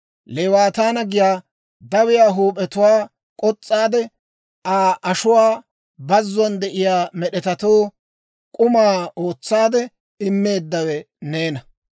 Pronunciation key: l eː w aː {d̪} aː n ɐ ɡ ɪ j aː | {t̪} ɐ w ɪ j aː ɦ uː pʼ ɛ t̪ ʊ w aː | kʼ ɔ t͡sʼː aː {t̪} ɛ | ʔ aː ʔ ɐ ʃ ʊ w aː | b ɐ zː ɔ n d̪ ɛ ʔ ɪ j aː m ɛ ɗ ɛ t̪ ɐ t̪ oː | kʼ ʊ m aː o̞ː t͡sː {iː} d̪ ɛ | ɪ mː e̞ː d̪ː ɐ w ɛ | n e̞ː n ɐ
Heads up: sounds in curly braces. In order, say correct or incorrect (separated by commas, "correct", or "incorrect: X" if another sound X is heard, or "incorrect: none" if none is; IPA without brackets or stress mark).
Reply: incorrect: t̪, incorrect: d̪, incorrect: d̪, incorrect: aː